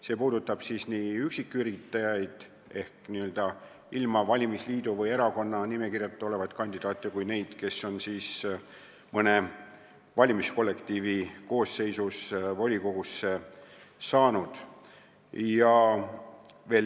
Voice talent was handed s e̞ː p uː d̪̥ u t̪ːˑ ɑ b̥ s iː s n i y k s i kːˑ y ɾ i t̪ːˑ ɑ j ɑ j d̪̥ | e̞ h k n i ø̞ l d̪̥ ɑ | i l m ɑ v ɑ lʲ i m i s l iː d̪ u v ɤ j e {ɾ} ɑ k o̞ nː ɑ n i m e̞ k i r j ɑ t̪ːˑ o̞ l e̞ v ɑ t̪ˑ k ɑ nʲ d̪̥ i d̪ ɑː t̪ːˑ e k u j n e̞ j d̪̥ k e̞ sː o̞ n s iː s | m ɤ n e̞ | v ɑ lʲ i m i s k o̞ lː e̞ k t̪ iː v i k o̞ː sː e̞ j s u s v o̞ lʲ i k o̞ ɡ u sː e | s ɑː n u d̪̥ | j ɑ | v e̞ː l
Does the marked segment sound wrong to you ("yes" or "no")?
no